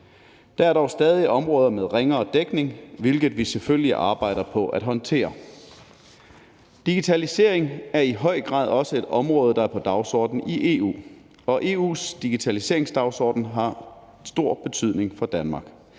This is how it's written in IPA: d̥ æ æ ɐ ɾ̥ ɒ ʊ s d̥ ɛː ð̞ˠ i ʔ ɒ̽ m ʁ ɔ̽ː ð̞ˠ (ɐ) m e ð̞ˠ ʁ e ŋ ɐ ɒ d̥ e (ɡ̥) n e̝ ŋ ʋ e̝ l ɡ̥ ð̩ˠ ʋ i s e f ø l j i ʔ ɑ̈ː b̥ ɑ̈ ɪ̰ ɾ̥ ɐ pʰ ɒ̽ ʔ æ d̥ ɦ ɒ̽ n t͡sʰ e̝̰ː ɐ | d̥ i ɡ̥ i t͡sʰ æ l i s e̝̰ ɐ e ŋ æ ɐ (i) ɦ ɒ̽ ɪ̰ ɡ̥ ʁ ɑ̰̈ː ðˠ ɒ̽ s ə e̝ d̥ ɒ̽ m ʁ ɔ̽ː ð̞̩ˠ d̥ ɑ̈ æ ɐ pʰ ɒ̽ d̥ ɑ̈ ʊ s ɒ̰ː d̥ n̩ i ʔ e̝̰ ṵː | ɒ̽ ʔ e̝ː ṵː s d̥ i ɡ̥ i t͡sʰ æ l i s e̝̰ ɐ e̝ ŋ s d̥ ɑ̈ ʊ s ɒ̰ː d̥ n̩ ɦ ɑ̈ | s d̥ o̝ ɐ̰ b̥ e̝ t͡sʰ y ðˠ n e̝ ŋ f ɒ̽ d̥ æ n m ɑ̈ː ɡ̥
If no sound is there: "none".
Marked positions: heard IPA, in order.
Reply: ɐ, ɡ̥, i

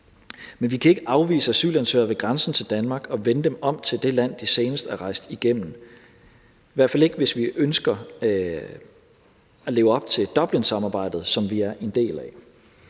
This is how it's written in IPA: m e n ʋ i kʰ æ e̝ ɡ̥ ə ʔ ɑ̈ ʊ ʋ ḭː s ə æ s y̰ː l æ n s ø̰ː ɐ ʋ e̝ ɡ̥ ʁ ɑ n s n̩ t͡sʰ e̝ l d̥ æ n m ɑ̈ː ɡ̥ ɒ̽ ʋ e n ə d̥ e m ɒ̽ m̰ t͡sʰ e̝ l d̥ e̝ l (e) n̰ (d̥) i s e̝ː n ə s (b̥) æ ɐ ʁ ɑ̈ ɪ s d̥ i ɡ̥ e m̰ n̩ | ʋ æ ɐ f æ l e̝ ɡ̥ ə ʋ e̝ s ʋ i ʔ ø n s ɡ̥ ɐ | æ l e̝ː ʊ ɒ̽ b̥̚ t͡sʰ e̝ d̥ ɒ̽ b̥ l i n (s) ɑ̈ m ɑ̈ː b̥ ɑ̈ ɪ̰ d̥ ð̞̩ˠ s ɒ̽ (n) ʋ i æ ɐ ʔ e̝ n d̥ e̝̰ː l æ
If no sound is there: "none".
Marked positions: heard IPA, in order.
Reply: æ, d̥, d̥, s, m

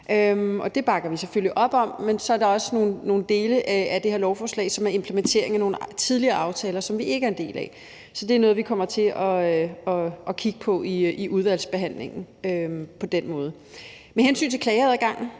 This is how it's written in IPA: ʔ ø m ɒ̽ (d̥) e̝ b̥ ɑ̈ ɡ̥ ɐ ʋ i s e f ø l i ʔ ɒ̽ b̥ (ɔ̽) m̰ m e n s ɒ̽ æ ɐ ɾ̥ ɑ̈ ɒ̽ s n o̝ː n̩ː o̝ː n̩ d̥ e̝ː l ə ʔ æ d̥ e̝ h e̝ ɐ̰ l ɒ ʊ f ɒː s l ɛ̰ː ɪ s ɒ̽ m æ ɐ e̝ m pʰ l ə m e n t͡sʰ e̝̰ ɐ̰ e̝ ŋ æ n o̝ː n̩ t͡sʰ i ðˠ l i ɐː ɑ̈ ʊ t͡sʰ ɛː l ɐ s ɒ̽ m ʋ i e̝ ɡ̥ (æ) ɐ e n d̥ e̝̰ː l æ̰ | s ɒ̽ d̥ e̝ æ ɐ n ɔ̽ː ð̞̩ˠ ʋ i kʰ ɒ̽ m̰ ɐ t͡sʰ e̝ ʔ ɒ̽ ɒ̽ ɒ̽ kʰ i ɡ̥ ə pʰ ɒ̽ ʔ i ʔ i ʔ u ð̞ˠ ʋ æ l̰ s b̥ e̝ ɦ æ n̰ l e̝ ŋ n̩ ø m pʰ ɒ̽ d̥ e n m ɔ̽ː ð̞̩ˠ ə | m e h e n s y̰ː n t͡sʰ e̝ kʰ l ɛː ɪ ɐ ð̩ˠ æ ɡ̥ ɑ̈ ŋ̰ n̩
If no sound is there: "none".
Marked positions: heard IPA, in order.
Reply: d̥, ɒ̽, æ

